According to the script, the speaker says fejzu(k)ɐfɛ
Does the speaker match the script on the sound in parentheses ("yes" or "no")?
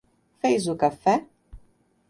yes